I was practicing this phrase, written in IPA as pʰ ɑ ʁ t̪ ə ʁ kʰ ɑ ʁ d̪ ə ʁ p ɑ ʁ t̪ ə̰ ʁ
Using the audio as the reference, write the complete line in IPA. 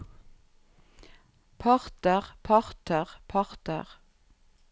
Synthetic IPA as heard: pʰ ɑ ʁ t̪ ə ʁ pʰ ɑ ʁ t̪ ə ʁ pʰ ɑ ʁ t̪ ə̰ ʁ

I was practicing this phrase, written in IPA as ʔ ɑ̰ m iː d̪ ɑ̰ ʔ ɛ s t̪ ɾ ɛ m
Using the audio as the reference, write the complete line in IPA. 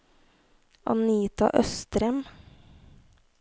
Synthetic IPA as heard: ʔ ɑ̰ n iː t̪ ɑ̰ ʔ œ s t̪ ɾ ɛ m

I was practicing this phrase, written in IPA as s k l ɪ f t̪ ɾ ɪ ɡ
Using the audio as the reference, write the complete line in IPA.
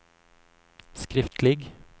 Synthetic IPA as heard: s k ɾ ɪ f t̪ l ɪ ɡ

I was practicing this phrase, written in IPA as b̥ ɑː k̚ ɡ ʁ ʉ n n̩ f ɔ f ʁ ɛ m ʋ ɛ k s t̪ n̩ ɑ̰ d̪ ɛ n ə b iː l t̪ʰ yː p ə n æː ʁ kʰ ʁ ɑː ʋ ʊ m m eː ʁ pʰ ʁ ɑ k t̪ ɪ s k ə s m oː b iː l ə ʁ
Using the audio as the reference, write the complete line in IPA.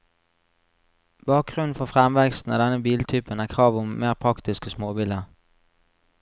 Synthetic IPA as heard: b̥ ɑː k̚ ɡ ʁ ʉ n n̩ f ɔ f ʁ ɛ m ʋ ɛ k s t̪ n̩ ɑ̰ d̪ ɛ n ə b iː l t̪ʰ yː p ə n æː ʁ kʰ ʁ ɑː ʋ ʊ m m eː ʁ pʰ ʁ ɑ k t̪ ɪ s k ə s m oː b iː l ə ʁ

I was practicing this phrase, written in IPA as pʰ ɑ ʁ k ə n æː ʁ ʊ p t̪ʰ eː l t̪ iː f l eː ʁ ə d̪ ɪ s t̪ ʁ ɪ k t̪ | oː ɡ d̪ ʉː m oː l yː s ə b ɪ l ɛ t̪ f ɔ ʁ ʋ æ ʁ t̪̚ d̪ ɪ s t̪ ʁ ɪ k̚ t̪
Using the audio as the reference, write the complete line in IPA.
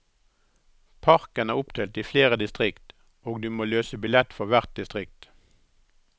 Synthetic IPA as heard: pʰ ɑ ʁ k ə n æː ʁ ʊ p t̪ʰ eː l t̪ iː f l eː ʁ ə d̪ ɪ s t̪ ʁ ɪ k t̪ | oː ɡ d̪ ʉː m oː l øː s ə b ɪ l ɛ t̪ f ɔ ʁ ʋ æ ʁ t̪̚ d̪ ɪ s t̪ ʁ ɪ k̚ t̪

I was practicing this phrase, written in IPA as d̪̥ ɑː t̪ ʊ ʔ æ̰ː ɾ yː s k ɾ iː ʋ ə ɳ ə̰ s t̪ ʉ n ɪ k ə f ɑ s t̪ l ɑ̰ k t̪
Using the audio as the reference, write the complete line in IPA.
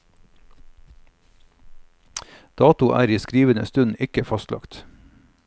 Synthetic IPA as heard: d̪̥ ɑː t̪ ʊ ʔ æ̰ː ɾ iː s k ɾ iː ʋ ə n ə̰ s t̪ ʉ n ɪ k ə f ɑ s t̪ l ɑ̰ k t̪

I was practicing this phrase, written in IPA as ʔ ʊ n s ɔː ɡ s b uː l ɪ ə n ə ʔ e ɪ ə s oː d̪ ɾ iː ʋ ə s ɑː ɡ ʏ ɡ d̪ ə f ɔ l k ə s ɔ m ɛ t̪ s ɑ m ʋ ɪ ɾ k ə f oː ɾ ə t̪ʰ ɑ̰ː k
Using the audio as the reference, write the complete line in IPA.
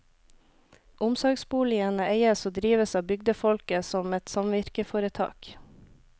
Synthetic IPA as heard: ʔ ʊ m s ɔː ɡ s b uː l ɪ ə n ə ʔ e ɪ ə s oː d̪ ɾ iː ʋ ə s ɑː b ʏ ɡ d̪ ə f ɔ l k ə s ɔ m ɛ t̪ s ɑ m ʋ ɪ ɾ k ə f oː ɾ ə t̪ʰ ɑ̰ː k

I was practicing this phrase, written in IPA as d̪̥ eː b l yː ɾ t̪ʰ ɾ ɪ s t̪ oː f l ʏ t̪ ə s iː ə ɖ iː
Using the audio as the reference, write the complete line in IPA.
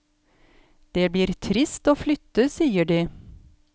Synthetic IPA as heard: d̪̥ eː b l iː ɾ t̪ʰ ɾ ɪ s t̪ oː f l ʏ t̪ ə s iː ə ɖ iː

